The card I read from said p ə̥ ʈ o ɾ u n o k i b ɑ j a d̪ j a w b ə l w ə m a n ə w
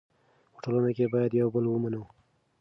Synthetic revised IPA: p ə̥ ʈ o l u n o k e b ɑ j a d̪ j a w b ə l w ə m a n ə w